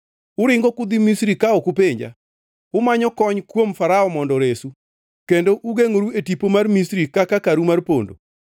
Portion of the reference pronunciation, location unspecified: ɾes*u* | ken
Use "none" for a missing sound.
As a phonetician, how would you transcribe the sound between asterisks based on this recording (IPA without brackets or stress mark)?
u